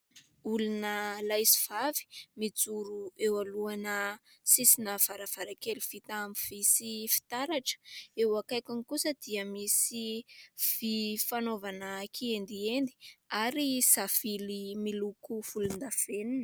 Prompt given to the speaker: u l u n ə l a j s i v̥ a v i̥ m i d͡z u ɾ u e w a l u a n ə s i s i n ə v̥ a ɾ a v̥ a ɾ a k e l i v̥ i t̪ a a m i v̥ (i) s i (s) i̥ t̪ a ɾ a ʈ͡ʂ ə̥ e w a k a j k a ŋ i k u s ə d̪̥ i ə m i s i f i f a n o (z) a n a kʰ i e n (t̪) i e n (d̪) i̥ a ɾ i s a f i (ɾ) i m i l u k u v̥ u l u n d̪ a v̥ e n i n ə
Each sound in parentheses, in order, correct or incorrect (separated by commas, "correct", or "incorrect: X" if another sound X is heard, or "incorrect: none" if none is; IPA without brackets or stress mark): correct, incorrect: f, incorrect: v, incorrect: d̪, correct, incorrect: l